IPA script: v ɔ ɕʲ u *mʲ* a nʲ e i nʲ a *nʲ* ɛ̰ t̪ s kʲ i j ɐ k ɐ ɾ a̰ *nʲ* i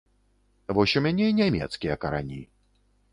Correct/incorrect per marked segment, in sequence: correct, incorrect, correct

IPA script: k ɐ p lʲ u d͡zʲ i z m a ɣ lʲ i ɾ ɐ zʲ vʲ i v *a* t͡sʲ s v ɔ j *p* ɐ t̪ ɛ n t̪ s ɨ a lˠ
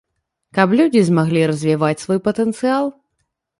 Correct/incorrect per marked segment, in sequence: correct, correct

